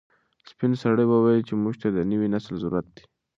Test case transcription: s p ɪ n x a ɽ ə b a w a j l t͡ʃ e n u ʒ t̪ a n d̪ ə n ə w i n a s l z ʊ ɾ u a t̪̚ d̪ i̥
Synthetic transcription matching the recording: s p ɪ n s a ɽ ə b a w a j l t͡ʃ e m u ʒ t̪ a d̪ ə n ə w i n a s l z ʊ ɾ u a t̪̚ d̪ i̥